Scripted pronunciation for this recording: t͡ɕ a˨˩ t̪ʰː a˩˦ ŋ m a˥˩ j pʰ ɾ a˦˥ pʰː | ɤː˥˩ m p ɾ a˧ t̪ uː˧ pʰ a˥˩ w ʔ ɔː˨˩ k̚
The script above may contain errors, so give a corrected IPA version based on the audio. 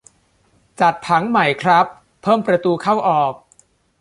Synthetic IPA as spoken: t͡ɕ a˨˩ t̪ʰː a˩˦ ŋ m a˨˩ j kʰ ɾ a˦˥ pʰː | ɤː˥˩ m p ɾ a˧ t̪ uː˧ kʰ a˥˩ w ʔ ɔː˨˩ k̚